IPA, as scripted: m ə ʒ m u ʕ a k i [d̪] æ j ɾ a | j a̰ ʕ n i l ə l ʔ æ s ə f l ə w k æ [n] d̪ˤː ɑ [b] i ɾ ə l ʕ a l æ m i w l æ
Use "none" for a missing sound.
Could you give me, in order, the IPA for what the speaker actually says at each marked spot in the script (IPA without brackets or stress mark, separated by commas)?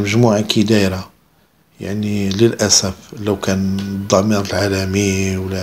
d̪, n, m